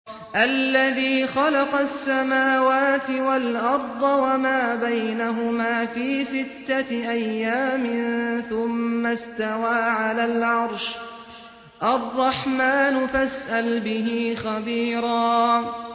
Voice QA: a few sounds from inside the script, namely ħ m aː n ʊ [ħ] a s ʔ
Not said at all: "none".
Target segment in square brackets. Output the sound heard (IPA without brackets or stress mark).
f